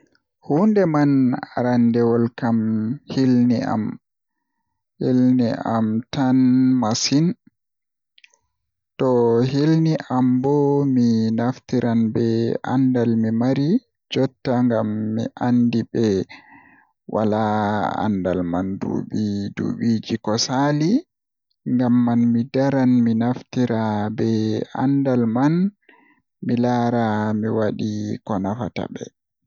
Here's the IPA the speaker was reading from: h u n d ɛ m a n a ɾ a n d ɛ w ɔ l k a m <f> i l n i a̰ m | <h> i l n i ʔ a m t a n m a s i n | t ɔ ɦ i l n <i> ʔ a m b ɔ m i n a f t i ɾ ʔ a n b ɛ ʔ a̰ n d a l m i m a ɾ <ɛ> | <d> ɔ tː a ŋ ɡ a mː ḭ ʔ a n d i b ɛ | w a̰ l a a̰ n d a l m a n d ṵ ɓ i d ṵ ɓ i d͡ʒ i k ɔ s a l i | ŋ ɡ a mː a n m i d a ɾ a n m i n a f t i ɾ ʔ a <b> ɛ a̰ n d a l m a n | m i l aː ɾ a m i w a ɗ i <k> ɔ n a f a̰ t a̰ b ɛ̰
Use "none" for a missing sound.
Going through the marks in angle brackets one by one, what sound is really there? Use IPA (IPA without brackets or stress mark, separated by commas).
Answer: h, h, i, i, d͡ʒ, b, k